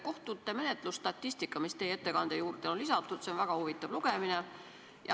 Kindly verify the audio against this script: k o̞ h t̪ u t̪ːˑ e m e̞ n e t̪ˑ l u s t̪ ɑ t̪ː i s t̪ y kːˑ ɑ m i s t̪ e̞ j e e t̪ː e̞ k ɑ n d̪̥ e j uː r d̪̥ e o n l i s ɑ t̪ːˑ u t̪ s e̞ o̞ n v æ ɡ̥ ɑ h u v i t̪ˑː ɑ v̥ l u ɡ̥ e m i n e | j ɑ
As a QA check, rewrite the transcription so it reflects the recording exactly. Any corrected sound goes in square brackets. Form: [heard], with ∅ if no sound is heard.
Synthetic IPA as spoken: k o̞ h t̪ u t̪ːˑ e m e̞ n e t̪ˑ l u s t̪ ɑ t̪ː i s t̪ [i] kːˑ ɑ m i s t̪ e̞ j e e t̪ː e̞ k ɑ n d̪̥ e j uː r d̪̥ e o n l i s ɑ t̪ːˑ u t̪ s e̞ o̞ n v æ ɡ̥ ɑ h u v i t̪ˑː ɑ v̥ l u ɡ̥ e m i n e | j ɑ